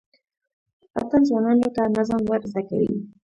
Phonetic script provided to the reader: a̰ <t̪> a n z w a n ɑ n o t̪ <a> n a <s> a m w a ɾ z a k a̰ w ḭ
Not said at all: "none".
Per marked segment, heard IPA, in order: t̪, a, z

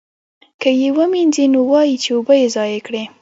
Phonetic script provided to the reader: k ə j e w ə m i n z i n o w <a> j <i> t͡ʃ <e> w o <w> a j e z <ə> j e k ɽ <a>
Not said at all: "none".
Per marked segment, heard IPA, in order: ɑ, i, e, b, ɑ, e

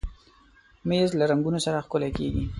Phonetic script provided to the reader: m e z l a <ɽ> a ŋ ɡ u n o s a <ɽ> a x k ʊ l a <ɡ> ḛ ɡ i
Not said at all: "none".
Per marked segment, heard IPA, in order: ɾ, ɾ, k

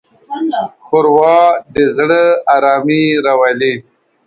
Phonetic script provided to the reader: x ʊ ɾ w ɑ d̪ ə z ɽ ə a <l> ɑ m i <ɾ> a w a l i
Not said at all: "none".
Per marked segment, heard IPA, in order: ɾ, ɾ

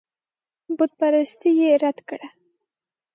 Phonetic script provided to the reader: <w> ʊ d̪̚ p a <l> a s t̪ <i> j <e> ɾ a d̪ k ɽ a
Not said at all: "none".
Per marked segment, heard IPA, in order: b, ɾ, i, e

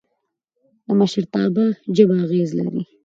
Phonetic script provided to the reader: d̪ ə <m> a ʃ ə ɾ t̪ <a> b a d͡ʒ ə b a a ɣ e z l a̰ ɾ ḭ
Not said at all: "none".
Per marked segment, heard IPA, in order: m, ɑ

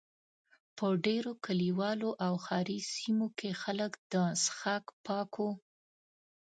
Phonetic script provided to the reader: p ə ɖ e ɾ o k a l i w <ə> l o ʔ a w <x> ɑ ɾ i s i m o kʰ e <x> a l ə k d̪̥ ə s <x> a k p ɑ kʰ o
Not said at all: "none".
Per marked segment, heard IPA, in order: ɑ, x, x, x

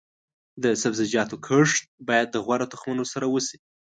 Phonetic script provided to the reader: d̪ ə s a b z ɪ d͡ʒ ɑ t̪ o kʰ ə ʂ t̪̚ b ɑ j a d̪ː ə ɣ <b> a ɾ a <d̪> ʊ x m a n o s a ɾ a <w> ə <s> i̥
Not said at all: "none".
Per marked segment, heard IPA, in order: w, t̪, w, s

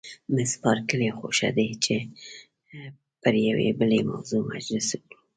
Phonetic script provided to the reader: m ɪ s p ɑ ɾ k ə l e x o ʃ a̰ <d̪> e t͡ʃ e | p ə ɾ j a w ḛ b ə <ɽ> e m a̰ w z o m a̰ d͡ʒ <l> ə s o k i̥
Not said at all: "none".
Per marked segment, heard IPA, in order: d̪, l, l

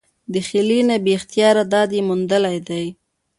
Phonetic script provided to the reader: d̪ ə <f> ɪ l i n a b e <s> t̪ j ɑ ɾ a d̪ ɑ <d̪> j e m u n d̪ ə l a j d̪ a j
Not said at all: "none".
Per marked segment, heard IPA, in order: x, x, d̪

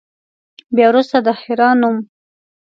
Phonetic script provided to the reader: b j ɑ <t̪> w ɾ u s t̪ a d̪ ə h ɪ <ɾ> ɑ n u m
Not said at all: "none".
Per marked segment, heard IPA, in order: none, ɾ

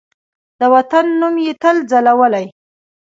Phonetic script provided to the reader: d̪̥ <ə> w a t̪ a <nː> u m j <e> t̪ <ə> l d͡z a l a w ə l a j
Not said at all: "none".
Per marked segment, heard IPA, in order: ə, nː, e, ə

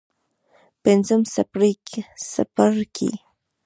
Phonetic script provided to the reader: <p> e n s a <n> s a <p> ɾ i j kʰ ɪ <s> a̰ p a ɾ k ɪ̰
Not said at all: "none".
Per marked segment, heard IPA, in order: p, m, p, s

